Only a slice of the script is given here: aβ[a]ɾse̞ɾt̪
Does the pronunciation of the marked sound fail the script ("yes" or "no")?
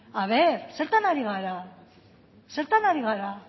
yes